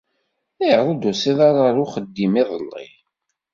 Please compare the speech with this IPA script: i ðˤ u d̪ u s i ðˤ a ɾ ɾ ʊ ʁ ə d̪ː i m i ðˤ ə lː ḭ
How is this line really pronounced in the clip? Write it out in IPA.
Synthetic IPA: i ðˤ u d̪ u s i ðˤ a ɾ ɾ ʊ χ ə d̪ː i m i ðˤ ə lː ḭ